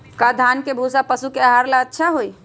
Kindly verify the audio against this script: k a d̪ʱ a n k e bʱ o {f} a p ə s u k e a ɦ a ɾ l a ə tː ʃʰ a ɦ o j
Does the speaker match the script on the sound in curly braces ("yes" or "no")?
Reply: no